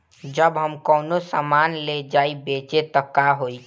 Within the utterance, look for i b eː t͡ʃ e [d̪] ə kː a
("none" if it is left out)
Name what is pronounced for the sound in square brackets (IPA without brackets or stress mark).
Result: t̪